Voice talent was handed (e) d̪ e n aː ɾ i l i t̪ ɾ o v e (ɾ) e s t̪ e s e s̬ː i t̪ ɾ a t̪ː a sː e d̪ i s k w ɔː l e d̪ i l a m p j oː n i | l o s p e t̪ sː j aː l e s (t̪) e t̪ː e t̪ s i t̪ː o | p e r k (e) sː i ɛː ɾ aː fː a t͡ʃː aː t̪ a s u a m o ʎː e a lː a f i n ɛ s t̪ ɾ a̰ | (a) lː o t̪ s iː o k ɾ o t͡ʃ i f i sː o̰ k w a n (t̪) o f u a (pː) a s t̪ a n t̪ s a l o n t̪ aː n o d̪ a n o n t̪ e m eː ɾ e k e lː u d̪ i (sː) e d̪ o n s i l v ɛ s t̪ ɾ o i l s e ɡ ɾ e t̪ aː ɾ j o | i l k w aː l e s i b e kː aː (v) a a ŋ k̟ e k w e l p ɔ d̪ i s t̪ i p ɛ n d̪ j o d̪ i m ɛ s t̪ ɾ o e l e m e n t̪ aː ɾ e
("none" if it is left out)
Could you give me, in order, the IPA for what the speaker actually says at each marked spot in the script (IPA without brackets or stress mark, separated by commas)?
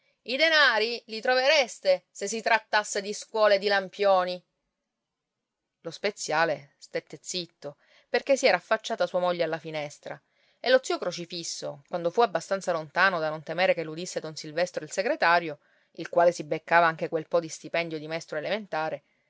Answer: i, ɾ, t̪, e, e, d̪, bː, sː, v